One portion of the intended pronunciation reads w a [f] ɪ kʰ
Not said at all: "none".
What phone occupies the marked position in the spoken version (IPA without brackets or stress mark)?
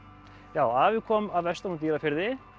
v